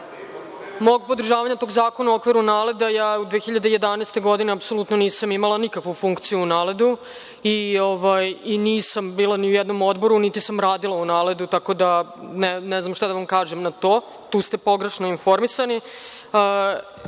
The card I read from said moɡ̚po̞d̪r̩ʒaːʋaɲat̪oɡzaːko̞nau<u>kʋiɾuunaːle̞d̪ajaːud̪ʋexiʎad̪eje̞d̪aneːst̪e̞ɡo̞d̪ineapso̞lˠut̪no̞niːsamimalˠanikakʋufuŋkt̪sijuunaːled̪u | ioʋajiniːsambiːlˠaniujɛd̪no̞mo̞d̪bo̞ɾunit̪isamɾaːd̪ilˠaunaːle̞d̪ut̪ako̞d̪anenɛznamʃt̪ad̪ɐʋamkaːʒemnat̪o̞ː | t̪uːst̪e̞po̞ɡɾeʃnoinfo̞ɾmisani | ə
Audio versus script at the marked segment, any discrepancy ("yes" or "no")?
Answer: yes